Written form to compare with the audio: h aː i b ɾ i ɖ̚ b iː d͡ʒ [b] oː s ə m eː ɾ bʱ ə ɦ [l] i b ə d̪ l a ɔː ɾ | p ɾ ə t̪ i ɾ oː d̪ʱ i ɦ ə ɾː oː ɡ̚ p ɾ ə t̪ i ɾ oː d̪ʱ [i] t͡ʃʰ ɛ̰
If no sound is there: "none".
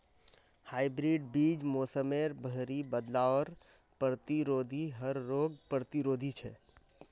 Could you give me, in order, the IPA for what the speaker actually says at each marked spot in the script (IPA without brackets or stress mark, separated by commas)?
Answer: m, ɾ, i